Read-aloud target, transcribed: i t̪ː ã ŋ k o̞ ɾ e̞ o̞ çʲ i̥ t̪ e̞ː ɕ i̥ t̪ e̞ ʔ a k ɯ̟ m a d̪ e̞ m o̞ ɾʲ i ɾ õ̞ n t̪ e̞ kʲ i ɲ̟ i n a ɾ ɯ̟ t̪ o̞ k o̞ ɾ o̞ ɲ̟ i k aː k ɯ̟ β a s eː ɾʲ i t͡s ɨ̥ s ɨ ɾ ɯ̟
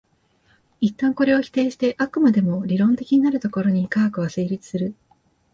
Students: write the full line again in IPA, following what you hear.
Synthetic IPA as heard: i t̪ː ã ŋ k o̞ ɾ e̞ o̞ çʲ i̥ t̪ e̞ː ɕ i̥ t̪ e̞ ʔ a k ɯ̟ m a d̪ e̞ m o̞ ɾʲ i ɾ õ̞ n t̪ e̞ kʲ i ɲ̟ i n a ɾ ɯ̟ t̪ o̞ k o̞ ɾ o̞ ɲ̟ i k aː k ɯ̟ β a s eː ɾʲ i t͡s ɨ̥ s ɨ ɾ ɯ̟